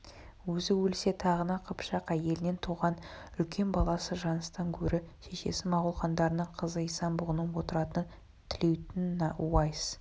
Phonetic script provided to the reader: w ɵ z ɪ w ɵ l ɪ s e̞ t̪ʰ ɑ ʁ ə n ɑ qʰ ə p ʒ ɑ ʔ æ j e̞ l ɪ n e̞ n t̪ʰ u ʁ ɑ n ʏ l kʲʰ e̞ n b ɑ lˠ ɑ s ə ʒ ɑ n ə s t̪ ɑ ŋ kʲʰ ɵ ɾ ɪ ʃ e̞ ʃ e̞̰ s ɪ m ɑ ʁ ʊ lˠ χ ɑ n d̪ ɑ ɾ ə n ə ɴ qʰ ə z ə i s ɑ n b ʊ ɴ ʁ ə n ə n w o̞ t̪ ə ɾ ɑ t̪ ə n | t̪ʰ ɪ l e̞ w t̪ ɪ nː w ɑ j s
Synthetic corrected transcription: w ɵ z ɪ w ɵ l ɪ s e̞ t̪ʰ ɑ ʁ ə n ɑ qʰ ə p ʃ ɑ q æ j e̞ l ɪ n e̞ n t̪ʰ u ʁ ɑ n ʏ l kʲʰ e̞ n b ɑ lˠ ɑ s ə ʒ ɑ n ə s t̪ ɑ ŋ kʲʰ ɵ ɾ ɪ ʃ e̞ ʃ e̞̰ s ɪ m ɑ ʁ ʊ lˠ χ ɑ n d̪ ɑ ɾ ə n ə ɴ qʰ ə z ə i s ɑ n b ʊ ʁ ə n ə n w o̞ t̪ ə ɾ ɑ t̪ ə n | t̪ʰ ɪ l e̞ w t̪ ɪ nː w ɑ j s